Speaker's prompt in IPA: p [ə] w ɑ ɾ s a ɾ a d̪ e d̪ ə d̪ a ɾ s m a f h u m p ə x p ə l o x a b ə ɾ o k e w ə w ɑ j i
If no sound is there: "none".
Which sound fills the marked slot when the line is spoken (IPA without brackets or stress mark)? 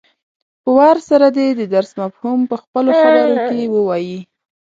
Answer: ə